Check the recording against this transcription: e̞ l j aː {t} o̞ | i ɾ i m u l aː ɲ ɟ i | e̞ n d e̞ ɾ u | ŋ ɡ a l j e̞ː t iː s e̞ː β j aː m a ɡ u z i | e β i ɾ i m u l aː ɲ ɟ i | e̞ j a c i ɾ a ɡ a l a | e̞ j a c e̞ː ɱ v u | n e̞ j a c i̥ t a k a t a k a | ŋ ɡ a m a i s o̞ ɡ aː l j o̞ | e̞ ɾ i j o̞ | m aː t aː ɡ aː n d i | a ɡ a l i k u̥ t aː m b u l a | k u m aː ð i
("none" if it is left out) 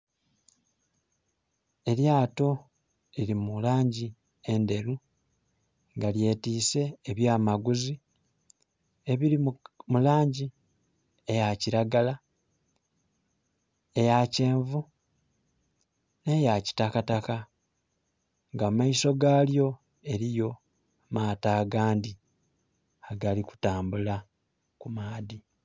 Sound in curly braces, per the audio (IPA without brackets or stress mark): t